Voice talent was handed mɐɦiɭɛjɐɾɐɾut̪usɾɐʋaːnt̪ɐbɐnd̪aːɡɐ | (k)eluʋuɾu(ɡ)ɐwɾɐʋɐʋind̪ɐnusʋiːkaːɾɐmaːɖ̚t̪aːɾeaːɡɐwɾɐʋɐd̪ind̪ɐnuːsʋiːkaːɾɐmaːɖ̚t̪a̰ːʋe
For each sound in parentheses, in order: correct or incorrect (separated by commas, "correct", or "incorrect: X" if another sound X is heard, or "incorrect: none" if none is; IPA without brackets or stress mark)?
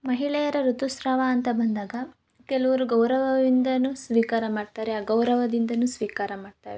correct, correct